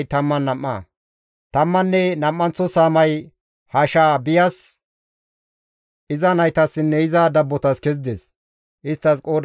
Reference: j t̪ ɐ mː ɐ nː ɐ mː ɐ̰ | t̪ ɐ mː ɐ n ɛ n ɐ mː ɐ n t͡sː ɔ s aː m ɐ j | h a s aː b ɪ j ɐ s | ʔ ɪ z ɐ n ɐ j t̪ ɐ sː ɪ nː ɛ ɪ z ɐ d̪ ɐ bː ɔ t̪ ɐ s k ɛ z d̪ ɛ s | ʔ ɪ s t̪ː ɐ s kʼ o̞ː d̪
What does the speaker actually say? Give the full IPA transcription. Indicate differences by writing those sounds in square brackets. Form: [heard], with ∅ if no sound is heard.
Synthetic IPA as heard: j t̪ ɐ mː ɐ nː ɐ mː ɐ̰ | t̪ ɐ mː ɐ [nː] ɛ n ɐ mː ɐ n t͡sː ɔ s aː m ɐ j | h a [ʃ] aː b ɪ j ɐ s | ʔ ɪ z ɐ n ɐ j t̪ ɐ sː ɪ nː ɛ ɪ z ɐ d̪ ɐ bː ɔ t̪ ɐ s k ɛ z d̪ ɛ s | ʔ ɪ s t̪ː ɐ s kʼ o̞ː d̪